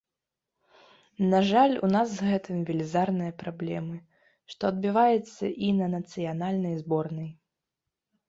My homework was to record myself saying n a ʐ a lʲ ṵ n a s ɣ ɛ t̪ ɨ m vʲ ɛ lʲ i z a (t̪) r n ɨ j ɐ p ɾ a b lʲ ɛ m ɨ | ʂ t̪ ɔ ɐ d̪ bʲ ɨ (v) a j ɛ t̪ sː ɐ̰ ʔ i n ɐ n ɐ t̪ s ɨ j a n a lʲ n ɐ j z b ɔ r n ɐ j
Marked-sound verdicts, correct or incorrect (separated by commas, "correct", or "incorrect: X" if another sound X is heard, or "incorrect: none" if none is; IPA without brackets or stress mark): incorrect: none, correct